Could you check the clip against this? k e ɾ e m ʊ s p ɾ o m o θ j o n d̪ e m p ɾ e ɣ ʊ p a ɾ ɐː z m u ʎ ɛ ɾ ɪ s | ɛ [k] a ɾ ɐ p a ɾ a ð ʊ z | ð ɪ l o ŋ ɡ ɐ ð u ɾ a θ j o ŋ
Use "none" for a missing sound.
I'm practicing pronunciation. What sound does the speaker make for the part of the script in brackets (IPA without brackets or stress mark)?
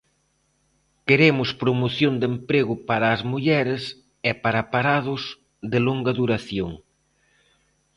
p